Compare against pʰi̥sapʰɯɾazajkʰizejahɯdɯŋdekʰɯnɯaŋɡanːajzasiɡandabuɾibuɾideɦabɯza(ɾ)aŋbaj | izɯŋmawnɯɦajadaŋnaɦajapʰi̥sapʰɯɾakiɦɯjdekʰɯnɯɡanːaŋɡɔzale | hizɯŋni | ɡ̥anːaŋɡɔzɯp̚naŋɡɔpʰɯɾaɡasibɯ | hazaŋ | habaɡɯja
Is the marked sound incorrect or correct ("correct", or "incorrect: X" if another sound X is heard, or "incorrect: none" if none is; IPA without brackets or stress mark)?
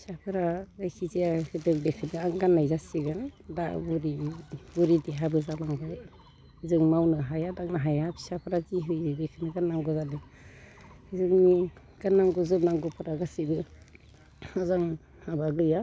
incorrect: l